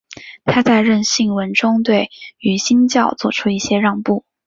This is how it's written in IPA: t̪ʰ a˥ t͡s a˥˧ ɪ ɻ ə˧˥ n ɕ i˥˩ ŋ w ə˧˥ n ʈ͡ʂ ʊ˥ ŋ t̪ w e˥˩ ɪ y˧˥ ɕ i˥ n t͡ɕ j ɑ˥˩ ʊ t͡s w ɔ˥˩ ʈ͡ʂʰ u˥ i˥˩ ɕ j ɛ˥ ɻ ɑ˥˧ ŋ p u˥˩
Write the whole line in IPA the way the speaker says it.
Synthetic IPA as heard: t̪ʰ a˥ t͡s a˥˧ ɪ ɻ ə˥˧ n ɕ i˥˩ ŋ w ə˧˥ n ʈ͡ʂ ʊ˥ ŋ t̪ w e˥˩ ɪ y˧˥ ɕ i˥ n t͡ɕ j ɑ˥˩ ʊ t͡s w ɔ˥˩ ʈ͡ʂʰ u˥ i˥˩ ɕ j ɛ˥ ɻ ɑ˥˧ ŋ p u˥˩